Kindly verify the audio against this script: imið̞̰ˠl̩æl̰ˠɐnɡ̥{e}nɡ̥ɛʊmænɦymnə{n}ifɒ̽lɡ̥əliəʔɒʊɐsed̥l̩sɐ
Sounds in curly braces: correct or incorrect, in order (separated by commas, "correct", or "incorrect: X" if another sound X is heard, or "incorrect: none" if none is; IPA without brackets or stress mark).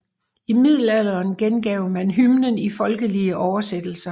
correct, correct